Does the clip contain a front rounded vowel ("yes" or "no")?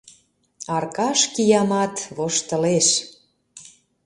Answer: no